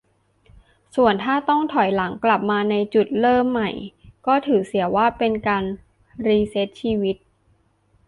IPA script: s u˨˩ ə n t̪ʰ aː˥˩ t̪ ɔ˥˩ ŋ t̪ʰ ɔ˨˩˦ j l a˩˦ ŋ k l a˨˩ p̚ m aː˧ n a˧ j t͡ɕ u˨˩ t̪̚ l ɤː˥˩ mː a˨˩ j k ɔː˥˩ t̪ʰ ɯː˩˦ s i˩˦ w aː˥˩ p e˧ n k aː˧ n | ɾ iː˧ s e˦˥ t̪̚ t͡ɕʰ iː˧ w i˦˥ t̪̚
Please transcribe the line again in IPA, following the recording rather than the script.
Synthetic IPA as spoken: s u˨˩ ə n t̪ʰ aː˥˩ t̪ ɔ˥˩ ŋ t̪ʰ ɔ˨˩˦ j l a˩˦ ŋ k l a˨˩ p̚ m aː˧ n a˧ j t͡ɕ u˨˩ t̪̚ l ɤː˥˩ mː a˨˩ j k ɔː˥˩ t̪ʰ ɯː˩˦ s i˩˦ w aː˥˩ p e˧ n k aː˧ n | ɾ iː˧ s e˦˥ t̪̚ t͡ɕʰ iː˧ w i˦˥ t̪̚

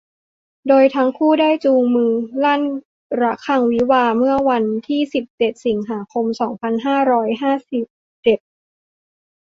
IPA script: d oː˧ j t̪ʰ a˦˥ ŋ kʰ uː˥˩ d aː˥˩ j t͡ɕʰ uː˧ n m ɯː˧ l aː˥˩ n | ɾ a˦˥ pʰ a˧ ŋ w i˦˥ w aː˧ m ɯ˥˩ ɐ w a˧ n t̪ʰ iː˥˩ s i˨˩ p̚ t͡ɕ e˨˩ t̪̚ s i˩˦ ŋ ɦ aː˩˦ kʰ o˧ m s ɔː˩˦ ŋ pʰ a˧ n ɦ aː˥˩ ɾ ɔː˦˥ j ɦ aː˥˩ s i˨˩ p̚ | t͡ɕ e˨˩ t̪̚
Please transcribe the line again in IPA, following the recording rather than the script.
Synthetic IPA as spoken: d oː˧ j t̪ʰ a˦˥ ŋ kʰ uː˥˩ d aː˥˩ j t͡ɕ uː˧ ŋ m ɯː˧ l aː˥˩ n | ɾ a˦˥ kʰ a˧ ŋ w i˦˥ w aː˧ m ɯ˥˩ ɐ w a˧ n t̪ʰ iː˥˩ s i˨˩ p̚ t͡ɕ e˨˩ t̪̚ s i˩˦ ŋ ɦ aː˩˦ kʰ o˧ m s ɔː˩˦ ŋ pʰ a˧ n ɦ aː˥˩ ɾ ɔː˦˥ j ɦ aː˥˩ s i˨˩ p̚ | t͡ɕ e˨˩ t̪̚

